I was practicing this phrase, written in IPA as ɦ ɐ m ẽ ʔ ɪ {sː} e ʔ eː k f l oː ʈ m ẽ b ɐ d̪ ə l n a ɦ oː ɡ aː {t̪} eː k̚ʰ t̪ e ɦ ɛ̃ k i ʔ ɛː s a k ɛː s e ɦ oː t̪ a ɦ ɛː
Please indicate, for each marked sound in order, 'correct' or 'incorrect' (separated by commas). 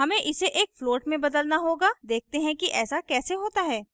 incorrect, incorrect